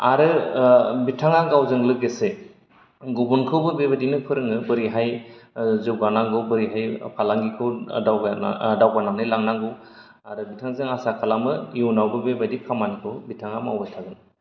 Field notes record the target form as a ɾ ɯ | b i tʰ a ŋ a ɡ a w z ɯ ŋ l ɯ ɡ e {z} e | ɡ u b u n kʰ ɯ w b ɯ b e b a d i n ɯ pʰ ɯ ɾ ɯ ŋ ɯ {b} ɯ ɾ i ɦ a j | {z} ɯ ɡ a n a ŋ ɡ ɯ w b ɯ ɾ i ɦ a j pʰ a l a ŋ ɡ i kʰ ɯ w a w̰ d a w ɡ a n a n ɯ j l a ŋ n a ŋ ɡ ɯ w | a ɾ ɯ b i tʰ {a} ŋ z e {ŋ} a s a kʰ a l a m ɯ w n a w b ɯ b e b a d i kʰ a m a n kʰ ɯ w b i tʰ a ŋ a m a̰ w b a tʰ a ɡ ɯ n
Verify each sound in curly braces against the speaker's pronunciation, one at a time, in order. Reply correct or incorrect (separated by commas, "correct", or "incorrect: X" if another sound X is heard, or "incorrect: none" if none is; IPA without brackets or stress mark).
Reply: incorrect: s, correct, correct, correct, correct